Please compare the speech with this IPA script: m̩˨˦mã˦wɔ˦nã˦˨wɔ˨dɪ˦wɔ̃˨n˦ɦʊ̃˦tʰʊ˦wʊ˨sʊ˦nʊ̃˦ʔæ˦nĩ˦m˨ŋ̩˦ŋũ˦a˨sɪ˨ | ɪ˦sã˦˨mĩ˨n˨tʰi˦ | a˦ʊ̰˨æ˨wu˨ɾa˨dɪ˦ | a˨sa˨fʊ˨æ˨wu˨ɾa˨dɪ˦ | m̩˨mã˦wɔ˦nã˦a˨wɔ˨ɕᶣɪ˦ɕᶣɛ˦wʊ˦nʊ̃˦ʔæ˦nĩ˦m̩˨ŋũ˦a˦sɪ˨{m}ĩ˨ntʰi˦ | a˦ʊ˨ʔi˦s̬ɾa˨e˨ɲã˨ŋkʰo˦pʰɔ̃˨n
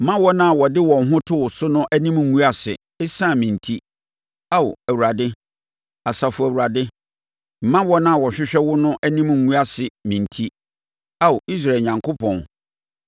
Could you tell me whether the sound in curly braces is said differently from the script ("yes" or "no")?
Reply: no